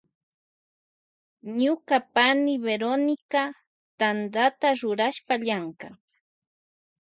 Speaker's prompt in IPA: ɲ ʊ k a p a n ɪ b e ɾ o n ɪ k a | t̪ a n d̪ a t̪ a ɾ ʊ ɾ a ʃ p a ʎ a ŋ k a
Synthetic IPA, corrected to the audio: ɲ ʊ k a p a n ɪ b e ɾ o n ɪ k a | t̪ a n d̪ a t̪ a ɾ ʊ ɾ a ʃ p a ʎ a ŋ k a